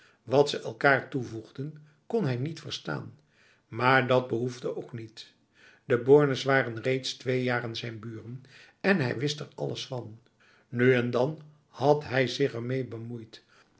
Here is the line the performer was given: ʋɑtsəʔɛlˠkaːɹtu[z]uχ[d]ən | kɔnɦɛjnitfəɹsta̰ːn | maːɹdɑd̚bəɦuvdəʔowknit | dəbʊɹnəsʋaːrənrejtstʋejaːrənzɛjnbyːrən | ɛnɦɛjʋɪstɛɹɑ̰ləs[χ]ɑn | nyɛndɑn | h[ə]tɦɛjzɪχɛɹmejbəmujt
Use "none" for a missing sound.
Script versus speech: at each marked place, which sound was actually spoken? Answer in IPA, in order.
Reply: v, d, f, ɑ

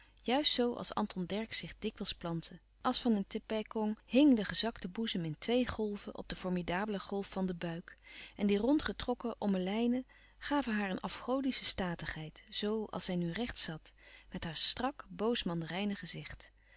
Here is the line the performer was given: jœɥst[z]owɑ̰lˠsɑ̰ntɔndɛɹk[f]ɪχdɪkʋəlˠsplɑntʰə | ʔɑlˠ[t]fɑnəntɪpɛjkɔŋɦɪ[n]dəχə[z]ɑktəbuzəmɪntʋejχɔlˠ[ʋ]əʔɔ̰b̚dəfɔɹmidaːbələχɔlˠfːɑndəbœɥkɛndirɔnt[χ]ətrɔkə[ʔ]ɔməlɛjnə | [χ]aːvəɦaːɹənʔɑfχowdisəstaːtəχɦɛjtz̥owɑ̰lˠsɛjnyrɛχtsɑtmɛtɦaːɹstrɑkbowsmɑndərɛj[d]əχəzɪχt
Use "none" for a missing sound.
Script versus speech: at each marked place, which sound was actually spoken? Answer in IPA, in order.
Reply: s, s, s, ŋ, z, v, χ, ʔ, χ, n

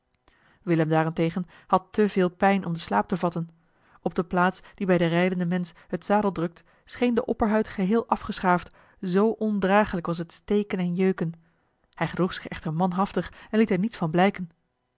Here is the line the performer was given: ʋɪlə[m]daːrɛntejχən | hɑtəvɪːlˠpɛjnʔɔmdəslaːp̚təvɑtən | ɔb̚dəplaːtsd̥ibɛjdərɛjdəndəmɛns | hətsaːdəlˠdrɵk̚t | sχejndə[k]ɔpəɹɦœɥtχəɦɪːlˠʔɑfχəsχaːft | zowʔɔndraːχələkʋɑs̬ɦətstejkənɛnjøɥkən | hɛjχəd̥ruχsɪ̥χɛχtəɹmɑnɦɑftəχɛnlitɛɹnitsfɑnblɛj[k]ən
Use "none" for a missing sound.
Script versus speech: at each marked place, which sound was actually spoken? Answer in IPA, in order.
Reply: m, ʔ, k

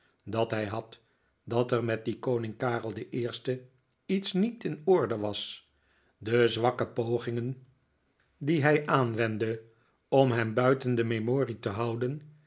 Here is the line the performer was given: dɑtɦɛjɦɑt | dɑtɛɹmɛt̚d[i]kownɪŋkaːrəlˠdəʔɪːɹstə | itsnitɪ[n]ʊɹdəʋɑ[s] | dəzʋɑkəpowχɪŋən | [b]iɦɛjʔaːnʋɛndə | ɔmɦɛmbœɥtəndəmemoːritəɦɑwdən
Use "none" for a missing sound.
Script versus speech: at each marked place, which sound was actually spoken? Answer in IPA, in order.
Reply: i, n, s, d

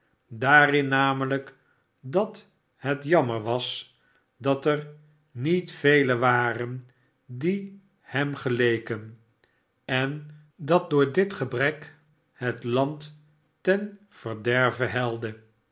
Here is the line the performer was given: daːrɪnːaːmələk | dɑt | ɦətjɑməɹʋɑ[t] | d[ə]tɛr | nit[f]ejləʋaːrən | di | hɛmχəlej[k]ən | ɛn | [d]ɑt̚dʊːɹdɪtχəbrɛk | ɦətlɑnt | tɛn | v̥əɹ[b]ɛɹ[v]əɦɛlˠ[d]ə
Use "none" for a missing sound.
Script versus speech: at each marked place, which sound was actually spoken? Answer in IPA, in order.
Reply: s, ɑ, f, k, d, d, v, d

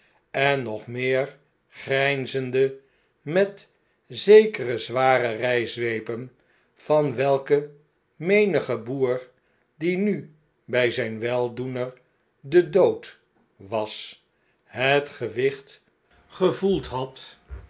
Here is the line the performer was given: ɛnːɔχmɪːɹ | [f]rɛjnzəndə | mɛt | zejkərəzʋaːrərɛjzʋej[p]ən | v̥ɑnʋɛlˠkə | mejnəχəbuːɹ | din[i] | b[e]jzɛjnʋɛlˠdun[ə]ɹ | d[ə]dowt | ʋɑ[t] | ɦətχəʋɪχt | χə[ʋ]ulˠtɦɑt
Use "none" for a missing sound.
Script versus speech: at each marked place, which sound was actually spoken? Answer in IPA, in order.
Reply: χ, p, y, ɛ, ə, ə, s, v

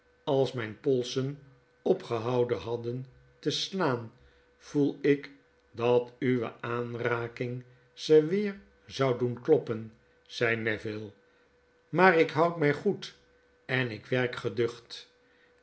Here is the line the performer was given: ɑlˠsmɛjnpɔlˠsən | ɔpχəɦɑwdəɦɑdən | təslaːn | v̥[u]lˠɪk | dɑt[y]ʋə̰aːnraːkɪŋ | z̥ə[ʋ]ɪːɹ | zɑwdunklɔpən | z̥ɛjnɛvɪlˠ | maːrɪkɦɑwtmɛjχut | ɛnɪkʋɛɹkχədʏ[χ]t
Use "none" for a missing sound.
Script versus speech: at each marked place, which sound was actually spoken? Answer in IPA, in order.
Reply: u, y, ʋ, χ

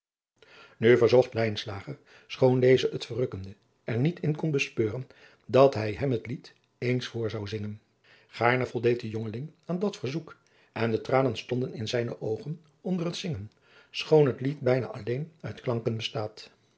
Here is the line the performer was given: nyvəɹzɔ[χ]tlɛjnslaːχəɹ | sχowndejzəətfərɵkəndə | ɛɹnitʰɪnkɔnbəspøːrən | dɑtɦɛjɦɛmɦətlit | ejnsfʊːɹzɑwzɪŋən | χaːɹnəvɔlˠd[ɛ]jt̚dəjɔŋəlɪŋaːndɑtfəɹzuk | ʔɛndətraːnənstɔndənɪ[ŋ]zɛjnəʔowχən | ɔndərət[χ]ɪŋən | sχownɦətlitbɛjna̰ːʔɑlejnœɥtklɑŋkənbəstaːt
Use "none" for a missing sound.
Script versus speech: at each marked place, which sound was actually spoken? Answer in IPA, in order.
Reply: χ, e, n, s

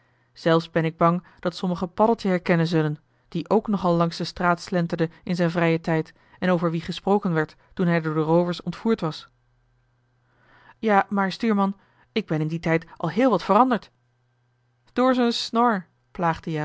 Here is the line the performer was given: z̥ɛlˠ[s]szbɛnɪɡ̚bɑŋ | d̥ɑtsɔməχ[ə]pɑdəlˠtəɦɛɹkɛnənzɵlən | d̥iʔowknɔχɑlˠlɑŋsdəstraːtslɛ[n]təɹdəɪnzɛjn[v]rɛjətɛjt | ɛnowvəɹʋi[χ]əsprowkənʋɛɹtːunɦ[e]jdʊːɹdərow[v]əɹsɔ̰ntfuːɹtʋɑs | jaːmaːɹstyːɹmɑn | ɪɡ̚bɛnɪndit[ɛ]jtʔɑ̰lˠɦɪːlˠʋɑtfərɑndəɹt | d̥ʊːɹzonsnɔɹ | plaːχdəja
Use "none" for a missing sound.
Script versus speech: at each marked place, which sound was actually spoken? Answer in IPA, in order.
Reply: f, ə, n, v, χ, ɛ, v, ɛ

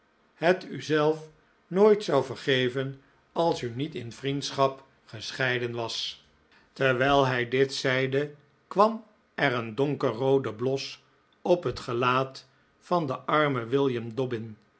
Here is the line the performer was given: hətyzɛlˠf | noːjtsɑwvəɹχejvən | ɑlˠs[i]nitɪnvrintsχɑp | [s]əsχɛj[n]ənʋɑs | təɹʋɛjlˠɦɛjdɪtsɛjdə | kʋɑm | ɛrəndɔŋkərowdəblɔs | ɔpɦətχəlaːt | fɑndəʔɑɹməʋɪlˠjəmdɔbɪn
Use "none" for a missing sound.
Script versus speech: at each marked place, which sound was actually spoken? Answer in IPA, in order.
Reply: y, χ, d

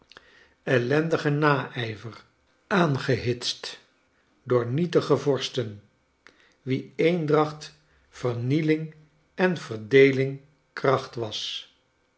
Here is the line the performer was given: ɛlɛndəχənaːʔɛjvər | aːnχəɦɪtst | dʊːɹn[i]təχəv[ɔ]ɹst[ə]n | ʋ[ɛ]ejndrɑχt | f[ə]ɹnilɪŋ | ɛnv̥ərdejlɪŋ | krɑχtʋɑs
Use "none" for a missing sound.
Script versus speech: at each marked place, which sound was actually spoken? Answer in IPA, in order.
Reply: i, ɔ, ə, i, ə

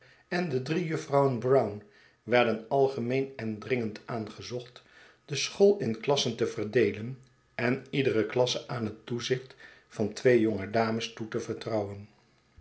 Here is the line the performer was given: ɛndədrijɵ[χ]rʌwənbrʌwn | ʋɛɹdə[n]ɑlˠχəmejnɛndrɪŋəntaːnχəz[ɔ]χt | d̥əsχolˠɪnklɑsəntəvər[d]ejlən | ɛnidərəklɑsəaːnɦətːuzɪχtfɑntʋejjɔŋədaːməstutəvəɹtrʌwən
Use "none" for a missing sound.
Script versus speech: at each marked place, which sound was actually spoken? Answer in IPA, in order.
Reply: f, n, ɔ, d

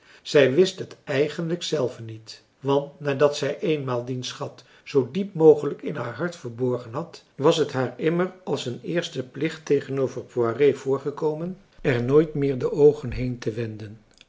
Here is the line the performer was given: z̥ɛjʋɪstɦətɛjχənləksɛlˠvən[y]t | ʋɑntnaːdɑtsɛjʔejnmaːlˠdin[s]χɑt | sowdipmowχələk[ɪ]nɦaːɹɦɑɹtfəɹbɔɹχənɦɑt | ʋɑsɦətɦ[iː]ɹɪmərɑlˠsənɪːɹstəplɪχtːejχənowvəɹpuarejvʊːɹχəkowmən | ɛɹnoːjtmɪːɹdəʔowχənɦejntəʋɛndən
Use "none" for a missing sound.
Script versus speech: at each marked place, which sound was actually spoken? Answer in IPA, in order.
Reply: i, s, ɪ, aː

